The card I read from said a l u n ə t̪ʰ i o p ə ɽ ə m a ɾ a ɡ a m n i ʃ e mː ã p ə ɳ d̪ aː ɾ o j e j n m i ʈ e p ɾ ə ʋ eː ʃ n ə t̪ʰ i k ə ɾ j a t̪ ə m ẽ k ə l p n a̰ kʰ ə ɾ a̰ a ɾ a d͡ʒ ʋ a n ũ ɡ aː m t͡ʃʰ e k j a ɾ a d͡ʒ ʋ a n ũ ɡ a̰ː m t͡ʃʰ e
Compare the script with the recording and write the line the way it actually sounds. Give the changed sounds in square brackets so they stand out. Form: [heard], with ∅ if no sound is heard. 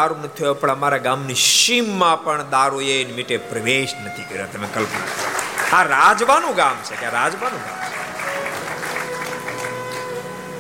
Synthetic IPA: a [ɾ] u n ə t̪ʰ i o p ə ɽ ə m a ɾ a ɡ a m n i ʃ [i] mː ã p ə ɳ d̪ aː ɾ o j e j n m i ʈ e p ɾ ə ʋ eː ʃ n ə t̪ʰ i k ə ɾ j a t̪ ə m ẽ k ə l p n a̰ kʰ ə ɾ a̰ a ɾ a d͡ʒ ʋ a n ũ ɡ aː m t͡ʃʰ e k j a ɾ a d͡ʒ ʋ a n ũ ɡ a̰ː m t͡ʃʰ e